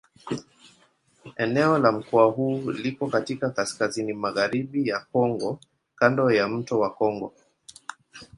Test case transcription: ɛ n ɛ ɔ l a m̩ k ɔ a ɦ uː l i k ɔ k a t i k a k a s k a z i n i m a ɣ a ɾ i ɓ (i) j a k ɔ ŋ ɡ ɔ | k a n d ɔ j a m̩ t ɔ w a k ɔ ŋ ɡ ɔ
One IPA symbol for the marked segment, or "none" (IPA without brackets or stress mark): i